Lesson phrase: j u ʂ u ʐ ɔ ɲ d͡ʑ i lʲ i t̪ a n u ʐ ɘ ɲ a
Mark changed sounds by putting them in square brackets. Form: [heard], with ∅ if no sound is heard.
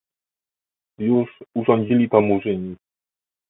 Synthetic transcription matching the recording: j u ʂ u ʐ ɔ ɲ d͡ʑ i lʲ i t̪ a [m] u ʐ ɘ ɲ [i]